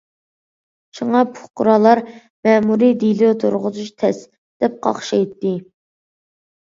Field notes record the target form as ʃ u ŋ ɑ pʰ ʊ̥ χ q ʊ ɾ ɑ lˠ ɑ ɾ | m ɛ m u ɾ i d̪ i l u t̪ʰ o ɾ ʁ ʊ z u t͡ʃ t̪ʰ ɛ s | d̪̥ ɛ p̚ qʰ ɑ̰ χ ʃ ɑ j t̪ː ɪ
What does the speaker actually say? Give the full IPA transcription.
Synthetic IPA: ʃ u ŋ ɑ pʰ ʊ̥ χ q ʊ ɾ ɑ lˠ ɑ ɾ | m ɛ m u ɾ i d̪ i l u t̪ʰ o ɾ ʁ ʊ z u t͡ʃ t̪ʰ ɛ s | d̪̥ ɛ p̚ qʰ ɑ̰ χ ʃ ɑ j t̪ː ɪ